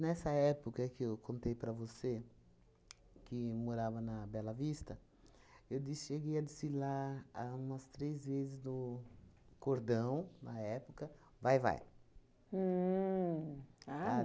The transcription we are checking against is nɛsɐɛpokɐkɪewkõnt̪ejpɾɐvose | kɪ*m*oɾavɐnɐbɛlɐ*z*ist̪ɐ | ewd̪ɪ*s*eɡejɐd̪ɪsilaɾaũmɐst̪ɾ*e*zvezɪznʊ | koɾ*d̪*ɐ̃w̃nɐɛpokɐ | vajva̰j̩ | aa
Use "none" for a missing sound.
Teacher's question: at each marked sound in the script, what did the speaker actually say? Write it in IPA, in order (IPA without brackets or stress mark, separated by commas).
m, v, ʃ, e, d̪